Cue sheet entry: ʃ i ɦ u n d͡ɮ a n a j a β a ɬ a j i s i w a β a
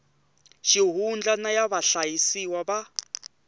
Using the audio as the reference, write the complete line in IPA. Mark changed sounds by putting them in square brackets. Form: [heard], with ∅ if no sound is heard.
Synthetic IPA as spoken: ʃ i ɦ u n d͡ɮ a n a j a β a ɬ a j i s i w a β a